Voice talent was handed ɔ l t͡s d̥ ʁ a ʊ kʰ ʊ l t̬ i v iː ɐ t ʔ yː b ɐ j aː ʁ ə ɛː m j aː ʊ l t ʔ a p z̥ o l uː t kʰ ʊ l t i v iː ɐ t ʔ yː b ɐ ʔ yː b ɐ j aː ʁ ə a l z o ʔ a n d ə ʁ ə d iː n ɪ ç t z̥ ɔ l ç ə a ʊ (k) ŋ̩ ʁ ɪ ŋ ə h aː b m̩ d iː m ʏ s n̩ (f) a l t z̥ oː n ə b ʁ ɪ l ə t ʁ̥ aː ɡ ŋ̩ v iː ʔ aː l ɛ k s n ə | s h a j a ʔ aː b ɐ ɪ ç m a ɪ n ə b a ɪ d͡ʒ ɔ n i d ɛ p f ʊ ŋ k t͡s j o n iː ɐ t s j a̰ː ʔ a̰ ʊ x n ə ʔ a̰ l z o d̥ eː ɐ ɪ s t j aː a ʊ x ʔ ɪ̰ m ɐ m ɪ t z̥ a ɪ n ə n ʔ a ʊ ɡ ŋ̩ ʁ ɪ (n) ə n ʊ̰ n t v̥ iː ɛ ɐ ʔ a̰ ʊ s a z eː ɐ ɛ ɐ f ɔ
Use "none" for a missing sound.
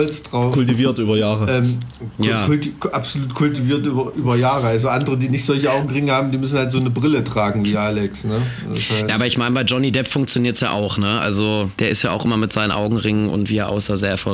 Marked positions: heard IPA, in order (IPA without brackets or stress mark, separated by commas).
ɡ, h, ŋ